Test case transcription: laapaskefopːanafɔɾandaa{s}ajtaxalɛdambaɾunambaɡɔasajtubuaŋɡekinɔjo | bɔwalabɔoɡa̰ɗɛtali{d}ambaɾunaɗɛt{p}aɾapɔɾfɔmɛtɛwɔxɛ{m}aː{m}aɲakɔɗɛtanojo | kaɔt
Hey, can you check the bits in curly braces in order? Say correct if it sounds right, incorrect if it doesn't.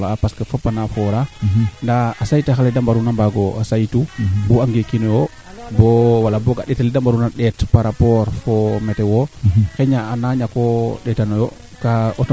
correct, correct, correct, incorrect: ɲ, incorrect: n

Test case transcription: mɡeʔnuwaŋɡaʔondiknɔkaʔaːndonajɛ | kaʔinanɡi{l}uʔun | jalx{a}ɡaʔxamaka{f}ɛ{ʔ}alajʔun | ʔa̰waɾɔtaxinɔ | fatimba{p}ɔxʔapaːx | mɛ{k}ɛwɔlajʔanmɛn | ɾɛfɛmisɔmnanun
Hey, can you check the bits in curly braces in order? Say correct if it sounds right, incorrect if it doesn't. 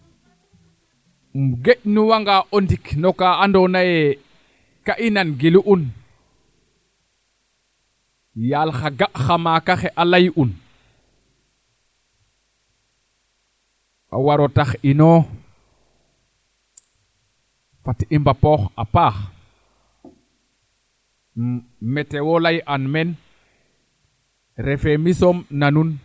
correct, correct, incorrect: x, correct, correct, incorrect: t

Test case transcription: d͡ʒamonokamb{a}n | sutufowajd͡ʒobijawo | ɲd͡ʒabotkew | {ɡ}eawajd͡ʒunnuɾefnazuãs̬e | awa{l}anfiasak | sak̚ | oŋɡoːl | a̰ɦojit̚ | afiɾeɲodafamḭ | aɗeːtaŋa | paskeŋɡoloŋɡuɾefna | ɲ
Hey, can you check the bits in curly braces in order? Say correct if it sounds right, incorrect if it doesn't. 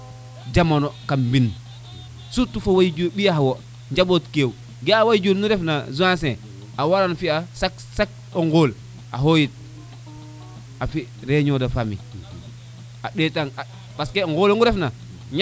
incorrect: i, correct, incorrect: ɾ

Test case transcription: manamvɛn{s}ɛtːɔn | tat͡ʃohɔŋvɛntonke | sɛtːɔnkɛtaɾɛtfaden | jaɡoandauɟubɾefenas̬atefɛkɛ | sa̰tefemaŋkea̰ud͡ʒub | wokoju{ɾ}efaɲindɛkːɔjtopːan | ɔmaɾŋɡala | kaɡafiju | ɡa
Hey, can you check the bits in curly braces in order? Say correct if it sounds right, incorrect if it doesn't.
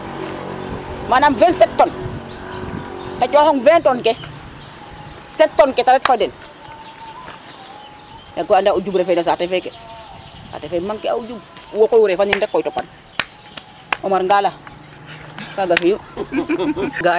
correct, correct

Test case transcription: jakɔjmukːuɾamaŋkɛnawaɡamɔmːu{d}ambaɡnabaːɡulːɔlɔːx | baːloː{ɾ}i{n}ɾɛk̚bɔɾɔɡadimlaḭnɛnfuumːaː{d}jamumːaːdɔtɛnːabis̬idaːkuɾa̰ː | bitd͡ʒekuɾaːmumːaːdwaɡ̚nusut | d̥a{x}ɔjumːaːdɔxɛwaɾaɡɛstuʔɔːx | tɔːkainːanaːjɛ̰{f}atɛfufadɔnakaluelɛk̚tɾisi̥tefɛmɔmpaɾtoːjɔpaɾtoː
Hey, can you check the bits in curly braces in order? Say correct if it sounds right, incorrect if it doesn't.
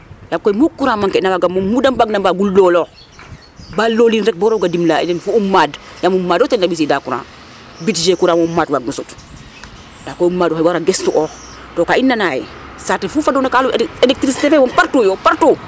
correct, incorrect: l, correct, correct, incorrect: k, incorrect: s

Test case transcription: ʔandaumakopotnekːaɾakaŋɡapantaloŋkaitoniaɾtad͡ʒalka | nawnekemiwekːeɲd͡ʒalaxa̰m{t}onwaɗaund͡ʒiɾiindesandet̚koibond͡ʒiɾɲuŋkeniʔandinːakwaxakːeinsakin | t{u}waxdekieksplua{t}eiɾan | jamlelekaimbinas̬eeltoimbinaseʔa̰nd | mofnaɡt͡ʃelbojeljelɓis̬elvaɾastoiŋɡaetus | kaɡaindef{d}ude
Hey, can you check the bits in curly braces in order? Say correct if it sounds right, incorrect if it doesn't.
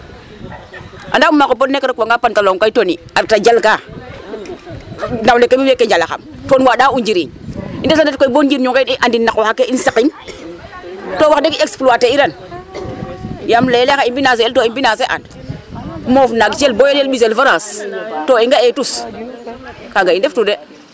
correct, incorrect: o, correct, incorrect: t

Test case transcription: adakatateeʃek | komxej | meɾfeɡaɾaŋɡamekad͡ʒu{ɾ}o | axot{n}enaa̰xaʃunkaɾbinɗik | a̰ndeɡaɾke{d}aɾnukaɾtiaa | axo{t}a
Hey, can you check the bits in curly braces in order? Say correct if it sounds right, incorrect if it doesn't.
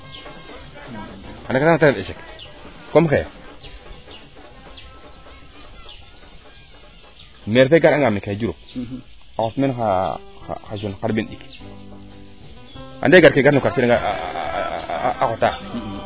correct, incorrect: m, incorrect: ɡ, correct

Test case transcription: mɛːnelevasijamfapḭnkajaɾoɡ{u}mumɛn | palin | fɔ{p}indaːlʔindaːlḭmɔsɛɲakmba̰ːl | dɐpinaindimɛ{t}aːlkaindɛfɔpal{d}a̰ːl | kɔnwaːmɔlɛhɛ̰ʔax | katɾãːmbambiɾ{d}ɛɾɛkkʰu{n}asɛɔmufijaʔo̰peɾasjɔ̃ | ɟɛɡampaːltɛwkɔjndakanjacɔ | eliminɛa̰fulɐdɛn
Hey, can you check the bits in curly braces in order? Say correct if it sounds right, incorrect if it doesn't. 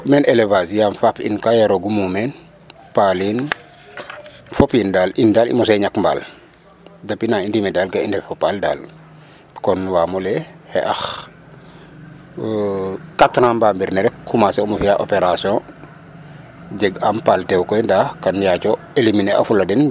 correct, correct, incorrect: d, correct, incorrect: n, incorrect: m

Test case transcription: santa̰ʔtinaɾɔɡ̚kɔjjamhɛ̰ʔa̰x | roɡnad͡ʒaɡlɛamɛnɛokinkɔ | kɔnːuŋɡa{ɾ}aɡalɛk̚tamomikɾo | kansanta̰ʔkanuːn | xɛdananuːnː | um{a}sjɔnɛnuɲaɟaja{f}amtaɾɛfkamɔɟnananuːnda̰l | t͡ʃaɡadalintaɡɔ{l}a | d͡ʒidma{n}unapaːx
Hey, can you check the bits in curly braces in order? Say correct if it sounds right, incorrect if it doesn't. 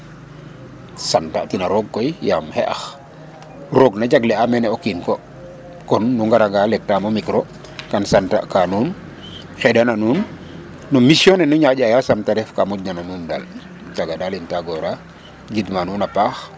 correct, incorrect: i, incorrect: s, incorrect: ɾ, correct

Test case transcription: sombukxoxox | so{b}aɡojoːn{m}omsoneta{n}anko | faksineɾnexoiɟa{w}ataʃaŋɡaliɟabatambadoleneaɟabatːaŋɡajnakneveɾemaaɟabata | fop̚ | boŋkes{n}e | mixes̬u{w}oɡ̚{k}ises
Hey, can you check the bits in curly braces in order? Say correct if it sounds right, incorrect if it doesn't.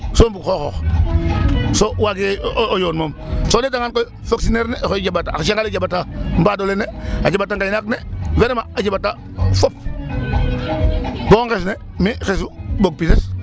incorrect: w, correct, incorrect: ŋ, incorrect: b, correct, incorrect: b, incorrect: p

